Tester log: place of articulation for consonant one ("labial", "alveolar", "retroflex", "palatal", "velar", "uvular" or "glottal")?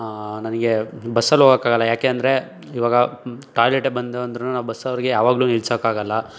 alveolar